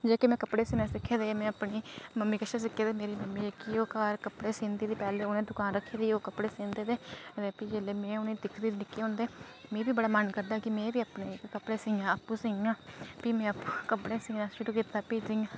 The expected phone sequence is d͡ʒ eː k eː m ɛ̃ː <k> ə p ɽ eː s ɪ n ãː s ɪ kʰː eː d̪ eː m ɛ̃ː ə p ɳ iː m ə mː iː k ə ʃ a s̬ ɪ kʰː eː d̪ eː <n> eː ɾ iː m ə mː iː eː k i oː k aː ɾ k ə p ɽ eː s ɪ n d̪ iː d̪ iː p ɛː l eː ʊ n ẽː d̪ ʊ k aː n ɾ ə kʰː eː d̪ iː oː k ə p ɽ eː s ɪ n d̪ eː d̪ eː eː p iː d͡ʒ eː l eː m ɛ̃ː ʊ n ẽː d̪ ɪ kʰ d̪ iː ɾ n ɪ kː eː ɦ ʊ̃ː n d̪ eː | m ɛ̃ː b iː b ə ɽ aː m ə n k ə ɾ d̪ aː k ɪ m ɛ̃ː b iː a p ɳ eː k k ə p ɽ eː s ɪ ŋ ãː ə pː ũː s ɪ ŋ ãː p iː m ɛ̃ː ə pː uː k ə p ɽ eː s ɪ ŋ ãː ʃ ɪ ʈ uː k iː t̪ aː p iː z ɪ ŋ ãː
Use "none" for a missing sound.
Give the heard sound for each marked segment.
k, m

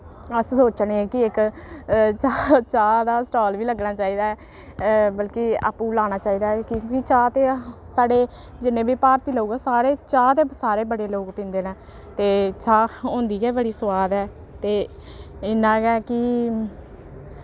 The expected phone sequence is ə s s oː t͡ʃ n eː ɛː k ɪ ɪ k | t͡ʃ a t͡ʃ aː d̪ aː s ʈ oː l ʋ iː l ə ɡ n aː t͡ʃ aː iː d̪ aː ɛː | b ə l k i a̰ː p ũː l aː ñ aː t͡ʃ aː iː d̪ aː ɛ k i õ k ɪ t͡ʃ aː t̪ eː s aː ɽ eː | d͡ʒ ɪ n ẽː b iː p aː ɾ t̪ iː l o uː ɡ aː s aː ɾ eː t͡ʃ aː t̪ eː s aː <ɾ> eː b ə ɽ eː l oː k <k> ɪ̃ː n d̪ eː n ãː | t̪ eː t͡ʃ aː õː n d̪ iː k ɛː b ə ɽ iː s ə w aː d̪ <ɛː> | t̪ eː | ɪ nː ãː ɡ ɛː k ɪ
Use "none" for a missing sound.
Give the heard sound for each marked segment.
ɾ, p, ɛː

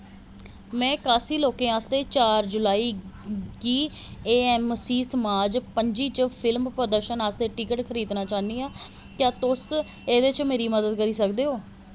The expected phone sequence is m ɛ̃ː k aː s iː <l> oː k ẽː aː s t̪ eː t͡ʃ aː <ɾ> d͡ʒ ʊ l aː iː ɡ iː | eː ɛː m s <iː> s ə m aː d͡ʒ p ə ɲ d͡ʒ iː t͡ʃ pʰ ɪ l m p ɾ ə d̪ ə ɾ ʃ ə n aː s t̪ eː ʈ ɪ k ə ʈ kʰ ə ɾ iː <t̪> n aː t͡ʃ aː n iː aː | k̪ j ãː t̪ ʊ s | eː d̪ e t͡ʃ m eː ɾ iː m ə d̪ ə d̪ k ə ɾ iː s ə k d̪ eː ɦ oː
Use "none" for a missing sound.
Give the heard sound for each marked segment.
l, ɾ, iː, d̪

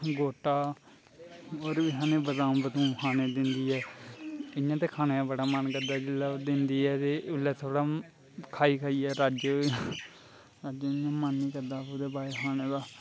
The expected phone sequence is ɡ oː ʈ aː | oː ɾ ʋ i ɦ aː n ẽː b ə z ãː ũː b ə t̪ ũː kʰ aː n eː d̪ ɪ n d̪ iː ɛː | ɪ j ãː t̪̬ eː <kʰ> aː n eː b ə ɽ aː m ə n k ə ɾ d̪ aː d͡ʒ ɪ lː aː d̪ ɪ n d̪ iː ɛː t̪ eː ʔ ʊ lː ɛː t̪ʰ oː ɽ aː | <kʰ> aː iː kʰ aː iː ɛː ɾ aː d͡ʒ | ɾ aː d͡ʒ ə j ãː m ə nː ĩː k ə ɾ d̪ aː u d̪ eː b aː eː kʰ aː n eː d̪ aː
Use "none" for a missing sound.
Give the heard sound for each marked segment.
kʰ, kʰ

